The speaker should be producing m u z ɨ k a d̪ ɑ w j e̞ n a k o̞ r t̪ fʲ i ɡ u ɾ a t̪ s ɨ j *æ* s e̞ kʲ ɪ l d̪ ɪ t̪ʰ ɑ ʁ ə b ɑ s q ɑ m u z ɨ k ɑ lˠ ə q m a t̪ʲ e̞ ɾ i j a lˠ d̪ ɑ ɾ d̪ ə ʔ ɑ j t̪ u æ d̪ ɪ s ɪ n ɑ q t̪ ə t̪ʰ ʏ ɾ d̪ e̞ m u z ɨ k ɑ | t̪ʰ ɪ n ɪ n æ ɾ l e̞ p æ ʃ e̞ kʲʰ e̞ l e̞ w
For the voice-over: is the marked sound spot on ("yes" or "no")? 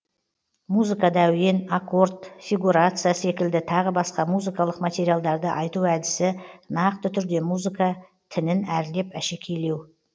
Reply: no